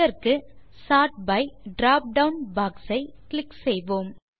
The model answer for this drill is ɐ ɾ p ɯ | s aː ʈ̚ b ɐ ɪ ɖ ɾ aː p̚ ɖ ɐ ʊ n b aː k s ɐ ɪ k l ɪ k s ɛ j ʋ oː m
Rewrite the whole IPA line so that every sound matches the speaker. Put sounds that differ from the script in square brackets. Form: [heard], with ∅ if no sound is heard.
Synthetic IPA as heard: ɐ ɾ [k] ɯ | s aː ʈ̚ b ɐ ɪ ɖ ɾ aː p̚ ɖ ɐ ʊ n b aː k s ɐ ɪ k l ɪ k s ɛ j ʋ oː m